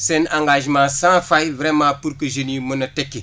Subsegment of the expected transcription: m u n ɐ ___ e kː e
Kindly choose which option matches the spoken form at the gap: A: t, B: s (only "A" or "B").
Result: A